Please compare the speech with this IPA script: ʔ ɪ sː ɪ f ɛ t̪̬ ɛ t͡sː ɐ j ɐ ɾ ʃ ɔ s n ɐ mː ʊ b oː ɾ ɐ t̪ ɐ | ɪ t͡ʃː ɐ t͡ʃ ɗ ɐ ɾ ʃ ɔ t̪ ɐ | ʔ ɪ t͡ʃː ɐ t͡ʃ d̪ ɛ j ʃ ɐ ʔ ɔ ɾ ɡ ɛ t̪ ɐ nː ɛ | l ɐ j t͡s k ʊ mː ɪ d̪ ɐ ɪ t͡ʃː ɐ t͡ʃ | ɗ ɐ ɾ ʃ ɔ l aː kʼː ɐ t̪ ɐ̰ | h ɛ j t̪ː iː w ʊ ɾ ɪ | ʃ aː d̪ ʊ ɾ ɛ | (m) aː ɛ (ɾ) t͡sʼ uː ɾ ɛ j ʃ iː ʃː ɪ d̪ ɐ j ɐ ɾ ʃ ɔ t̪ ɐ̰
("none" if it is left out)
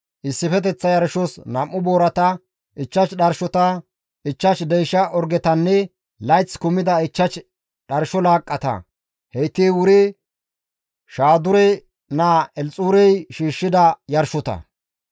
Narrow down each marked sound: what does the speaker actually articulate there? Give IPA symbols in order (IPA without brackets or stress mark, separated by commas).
n, l